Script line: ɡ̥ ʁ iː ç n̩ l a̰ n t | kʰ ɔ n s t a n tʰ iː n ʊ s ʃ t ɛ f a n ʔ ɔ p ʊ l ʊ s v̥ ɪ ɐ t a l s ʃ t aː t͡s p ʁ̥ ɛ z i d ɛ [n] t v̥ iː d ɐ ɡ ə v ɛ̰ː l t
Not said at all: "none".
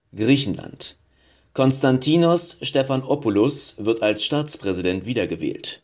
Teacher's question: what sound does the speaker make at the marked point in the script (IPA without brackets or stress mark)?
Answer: n